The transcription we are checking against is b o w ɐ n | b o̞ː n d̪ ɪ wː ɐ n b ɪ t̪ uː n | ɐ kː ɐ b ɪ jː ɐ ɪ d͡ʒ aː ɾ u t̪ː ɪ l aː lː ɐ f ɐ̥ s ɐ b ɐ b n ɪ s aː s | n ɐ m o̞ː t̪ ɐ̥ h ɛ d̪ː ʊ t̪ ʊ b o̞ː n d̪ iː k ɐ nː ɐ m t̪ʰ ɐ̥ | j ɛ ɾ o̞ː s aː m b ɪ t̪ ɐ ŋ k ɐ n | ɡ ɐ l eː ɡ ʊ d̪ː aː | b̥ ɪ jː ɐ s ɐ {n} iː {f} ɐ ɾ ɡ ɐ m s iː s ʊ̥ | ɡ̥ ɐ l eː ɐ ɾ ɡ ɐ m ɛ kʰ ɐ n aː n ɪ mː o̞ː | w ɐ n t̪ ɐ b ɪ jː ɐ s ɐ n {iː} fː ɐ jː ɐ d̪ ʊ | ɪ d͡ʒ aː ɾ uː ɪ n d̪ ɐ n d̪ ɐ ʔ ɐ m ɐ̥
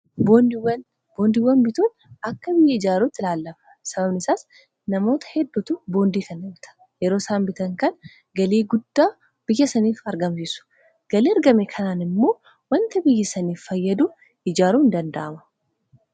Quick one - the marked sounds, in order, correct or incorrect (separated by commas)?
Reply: correct, correct, correct